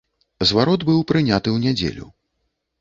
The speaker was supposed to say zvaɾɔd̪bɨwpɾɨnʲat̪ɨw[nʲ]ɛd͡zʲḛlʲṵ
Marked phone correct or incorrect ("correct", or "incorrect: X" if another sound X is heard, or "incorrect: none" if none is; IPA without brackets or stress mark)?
correct